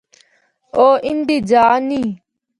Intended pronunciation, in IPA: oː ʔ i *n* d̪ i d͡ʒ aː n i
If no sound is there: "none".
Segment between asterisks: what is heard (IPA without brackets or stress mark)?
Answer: n